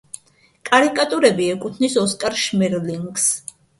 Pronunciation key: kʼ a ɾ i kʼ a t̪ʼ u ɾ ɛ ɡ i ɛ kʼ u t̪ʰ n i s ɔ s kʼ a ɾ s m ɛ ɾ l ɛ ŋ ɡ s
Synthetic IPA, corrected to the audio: kʼ a ɾ i kʼ a t̪ʼ u ɾ ɛ b i ɛ kʼ u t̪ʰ n i s ɔ s kʼ a ɾ ʃ m ɛ ɾ l i ŋ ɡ s

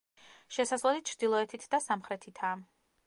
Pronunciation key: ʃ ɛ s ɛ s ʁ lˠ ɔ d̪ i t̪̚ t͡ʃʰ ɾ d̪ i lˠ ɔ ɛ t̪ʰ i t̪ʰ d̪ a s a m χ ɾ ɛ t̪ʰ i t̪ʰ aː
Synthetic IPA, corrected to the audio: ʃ ɛ s a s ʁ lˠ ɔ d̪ i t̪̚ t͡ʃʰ ɾ d̪ i lˠ ɔ ɛ t̪ʰ i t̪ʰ d̪ a s a m χ ɾ ɛ t̪ʰ i t̪ʰ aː

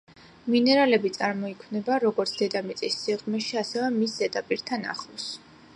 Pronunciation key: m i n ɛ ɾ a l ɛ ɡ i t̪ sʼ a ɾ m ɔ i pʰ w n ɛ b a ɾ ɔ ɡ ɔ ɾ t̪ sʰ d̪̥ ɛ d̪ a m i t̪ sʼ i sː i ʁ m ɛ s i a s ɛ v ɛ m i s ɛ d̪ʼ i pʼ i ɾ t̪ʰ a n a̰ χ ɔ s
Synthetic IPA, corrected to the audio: m i n ɛ ɾ a l ɛ b i t̪ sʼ a ɾ m ɔ i kʰ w n ɛ b a ɾ ɔ ɡ ɔ ɾ t̪ sʰ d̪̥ ɛ d̪ a m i t̪ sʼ i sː i ʁ m ɛ ʃ i a s ɛ v ɛ m i s ɛ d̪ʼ a pʼ i ɾ t̪ʰ a n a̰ χ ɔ s

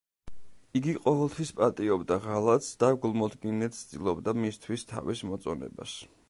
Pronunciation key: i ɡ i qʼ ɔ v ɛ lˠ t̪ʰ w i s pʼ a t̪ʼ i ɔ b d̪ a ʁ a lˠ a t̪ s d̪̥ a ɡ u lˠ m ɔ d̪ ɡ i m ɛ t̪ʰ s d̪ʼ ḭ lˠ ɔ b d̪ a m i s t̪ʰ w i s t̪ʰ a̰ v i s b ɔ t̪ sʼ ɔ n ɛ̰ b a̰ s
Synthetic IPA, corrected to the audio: i ɡ i qʼ ɔ v ɛ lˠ t̪ʰ w i s pʼ a t̪ʼ i ɔ b d̪ a ʁ a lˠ a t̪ s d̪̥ a ɡ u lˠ m ɔ d̪ ɡ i n ɛ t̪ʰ s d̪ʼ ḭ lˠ ɔ b d̪ a m i s t̪ʰ w i s t̪ʰ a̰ v i s m ɔ t̪ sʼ ɔ n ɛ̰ b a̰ s

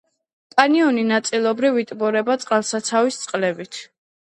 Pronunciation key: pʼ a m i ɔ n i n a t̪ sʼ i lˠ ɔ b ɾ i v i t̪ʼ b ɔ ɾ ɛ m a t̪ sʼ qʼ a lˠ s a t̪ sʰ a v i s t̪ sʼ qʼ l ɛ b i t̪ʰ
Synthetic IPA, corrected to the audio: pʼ a n i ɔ n i n a t̪ sʼ i lˠ ɔ b ɾ i v i t̪ʼ b ɔ ɾ ɛ b a t̪ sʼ qʼ a lˠ s a t̪ sʰ a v i s t̪ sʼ qʼ l ɛ b i t̪ʰ

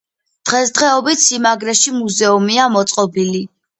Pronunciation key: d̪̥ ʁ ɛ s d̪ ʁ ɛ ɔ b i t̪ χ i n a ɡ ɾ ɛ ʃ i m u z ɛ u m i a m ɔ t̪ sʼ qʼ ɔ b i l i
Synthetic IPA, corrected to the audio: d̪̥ ʁ ɛ s d̪ ʁ ɛ ɔ b i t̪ s i m a ɡ ɾ ɛ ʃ i m u z ɛ u m i a m ɔ t̪ sʼ qʼ ɔ b i l i

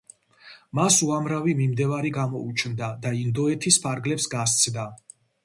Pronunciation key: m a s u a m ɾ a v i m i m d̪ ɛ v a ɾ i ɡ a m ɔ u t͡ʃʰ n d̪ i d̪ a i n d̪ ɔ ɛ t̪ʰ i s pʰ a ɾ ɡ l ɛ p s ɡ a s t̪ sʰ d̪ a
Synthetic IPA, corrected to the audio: m a s u a m ɾ a v i m i m d̪ ɛ v a ɾ i ɡ a m ɔ u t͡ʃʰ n d̪ a d̪ a i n d̪ ɔ ɛ t̪ʰ i s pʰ a ɾ ɡ l ɛ p s ɡ a s t̪ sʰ d̪ a

